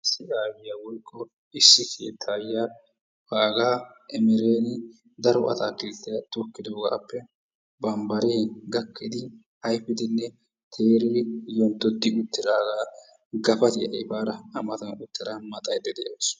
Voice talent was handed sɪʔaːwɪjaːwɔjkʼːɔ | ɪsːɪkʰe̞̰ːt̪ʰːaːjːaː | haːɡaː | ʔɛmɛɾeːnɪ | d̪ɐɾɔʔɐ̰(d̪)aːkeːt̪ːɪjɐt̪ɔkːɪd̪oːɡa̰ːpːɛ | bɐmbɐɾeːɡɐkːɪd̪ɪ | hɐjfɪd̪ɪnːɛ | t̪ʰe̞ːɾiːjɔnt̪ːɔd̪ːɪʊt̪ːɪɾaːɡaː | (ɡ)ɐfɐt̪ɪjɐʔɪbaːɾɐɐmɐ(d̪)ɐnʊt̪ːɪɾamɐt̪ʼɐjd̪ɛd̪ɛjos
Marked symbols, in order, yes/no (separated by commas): no, yes, no